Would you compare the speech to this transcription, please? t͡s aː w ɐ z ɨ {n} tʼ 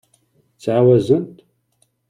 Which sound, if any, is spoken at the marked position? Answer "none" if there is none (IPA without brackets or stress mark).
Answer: n